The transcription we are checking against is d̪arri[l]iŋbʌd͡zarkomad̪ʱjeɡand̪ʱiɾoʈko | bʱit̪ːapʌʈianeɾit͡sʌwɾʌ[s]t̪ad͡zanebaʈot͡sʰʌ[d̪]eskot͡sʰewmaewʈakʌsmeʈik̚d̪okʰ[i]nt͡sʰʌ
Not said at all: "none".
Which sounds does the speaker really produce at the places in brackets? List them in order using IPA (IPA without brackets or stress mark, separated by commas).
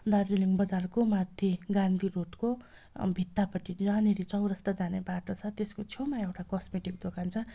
l, s, t̪, a